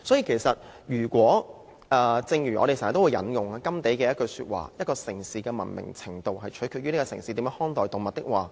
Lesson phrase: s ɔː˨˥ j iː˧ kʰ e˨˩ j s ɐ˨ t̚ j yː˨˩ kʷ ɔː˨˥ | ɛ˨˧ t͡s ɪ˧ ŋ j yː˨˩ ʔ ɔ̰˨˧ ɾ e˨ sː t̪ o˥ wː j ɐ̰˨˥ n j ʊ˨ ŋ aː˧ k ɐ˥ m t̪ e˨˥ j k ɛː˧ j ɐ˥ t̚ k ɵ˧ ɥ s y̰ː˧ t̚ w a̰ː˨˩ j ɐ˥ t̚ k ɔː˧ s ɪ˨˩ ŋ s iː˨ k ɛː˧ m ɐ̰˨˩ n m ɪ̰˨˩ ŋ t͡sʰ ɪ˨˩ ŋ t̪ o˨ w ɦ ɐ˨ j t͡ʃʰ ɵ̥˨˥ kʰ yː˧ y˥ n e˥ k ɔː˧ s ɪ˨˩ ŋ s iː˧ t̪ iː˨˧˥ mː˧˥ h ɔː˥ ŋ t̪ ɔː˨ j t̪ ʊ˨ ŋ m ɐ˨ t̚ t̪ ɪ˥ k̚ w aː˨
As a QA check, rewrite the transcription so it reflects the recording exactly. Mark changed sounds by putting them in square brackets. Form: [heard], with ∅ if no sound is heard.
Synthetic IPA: s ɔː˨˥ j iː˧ kʰ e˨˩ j s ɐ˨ t̚ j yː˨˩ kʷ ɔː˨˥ | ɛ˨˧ t͡s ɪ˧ ŋ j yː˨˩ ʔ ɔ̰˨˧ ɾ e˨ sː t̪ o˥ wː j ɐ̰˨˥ n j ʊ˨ ŋ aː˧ k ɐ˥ m t̪ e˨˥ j k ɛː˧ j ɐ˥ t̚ k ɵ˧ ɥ s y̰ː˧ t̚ w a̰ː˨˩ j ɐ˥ t̚ k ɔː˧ s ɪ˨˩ ŋ s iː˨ k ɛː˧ m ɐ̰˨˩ n m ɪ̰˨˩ ŋ t͡sʰ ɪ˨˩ ŋ t̪ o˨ w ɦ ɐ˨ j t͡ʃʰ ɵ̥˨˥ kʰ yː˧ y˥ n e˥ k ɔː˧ s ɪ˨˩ ŋ s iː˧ t̪ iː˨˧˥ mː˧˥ h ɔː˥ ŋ t̪ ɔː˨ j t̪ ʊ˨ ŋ m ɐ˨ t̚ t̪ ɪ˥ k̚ w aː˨

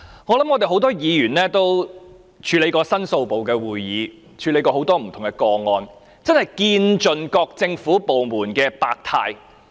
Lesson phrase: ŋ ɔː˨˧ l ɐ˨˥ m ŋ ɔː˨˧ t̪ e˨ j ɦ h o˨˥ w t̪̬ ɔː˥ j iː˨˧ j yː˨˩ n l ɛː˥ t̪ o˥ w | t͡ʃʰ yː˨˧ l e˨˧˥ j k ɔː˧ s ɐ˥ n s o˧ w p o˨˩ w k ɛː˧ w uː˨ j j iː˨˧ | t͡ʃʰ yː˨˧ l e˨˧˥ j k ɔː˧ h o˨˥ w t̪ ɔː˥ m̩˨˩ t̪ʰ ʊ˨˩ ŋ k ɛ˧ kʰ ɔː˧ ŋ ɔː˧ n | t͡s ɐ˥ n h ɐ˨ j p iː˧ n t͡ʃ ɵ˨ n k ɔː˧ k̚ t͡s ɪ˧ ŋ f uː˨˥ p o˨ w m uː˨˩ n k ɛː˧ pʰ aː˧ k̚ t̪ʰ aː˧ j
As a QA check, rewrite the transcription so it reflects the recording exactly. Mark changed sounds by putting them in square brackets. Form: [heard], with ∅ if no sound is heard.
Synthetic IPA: ŋ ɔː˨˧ l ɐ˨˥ m ŋ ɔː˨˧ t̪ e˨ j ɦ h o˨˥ w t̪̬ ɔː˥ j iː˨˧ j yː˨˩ n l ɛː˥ t̪ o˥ w | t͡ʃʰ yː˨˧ l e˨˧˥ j k ɔː˧ s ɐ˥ n s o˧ w p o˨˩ w k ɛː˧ w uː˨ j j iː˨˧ | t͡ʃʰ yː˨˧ l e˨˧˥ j k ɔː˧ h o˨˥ w t̪ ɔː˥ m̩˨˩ t̪ʰ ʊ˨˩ ŋ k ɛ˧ [k] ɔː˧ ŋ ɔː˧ n | t͡s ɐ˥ n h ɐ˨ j [k] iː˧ n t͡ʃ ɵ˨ n k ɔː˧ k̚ t͡s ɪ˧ ŋ f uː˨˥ p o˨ w m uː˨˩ n k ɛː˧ [p] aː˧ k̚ t̪ʰ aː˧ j

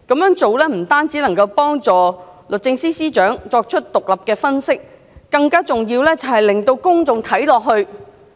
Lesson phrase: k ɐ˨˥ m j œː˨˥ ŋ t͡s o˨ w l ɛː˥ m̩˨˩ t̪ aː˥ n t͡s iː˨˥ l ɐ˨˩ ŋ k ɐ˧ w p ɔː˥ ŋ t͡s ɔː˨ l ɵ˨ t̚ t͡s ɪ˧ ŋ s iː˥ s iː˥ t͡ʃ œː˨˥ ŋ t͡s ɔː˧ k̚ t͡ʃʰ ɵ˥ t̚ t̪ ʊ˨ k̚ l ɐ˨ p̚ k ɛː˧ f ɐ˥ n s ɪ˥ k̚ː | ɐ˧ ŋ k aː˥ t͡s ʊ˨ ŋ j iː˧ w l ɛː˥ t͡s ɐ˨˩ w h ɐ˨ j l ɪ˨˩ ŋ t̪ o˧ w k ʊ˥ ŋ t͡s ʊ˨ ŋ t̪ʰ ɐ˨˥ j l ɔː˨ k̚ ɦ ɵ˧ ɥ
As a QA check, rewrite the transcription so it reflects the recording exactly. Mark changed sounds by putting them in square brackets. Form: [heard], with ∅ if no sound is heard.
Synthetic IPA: k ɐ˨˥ m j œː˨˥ ŋ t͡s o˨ w l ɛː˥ m̩˨˩ t̪ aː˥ n t͡s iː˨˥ l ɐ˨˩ ŋ k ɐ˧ w p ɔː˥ ŋ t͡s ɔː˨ l ɵ˨ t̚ t͡s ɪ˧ ŋ s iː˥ s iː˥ t͡ʃ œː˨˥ ŋ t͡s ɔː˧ k̚ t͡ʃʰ ɵ˥ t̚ t̪ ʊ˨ k̚ l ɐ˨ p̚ k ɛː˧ f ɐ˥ n s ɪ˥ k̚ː | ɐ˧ ŋ k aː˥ t͡s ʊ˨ ŋ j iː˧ w l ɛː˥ t͡s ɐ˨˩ w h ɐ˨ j l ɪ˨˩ ŋ t̪ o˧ w k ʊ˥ ŋ t͡s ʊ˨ ŋ t̪ʰ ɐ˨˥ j l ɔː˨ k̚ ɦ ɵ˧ ɥ

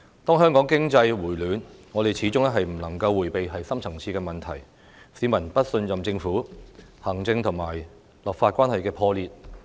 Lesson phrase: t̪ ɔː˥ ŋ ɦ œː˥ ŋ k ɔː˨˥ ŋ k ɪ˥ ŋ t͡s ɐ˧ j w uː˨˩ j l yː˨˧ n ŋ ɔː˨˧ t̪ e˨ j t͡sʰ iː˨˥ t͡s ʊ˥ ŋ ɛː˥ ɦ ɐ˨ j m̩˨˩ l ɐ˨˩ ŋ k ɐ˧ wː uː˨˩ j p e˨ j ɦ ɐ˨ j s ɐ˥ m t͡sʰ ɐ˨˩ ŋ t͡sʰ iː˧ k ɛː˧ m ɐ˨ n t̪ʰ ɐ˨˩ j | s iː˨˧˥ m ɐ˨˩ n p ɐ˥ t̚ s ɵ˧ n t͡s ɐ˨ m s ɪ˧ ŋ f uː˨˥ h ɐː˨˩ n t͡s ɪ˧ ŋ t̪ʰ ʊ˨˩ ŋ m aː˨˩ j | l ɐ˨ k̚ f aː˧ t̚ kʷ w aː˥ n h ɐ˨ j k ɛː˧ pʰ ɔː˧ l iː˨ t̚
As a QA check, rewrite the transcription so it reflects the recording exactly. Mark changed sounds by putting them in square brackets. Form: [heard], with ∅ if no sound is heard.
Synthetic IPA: t̪ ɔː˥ ŋ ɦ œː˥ ŋ k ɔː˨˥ ŋ k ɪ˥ ŋ t͡s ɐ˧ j w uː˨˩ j l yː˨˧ n ŋ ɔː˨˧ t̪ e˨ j t͡sʰ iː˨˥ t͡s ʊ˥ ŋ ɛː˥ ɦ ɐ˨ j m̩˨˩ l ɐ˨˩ ŋ k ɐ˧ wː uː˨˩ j p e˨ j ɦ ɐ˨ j s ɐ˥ m t͡sʰ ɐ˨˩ ŋ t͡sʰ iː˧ k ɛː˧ m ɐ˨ n t̪ʰ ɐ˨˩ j | s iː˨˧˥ m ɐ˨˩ n p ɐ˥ t̚ s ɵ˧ n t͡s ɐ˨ m [t͡s] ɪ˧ ŋ f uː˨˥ h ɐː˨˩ [ŋ] t͡s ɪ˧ ŋ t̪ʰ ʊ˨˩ ŋ m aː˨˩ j | l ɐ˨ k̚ f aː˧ t̚ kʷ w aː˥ n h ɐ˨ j k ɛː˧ pʰ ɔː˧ l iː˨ t̚

